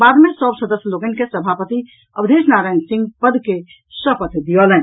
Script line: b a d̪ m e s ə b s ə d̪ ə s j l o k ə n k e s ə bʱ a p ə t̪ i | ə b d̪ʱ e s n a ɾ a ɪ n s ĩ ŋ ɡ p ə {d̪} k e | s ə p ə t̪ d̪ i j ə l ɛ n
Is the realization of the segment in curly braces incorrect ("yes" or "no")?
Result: no